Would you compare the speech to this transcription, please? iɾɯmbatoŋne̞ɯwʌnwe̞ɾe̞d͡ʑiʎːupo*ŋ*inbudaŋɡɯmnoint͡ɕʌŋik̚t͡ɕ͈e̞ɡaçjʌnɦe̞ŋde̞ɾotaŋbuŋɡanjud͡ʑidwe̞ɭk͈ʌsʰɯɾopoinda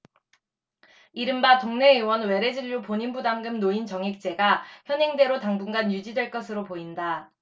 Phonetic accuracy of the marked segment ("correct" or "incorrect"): incorrect